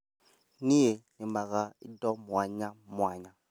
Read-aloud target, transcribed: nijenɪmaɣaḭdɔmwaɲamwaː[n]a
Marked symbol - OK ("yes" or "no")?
no